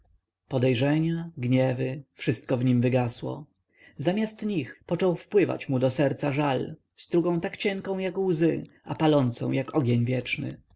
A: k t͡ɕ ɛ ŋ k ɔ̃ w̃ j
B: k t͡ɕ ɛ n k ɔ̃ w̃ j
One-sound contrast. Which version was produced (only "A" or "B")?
A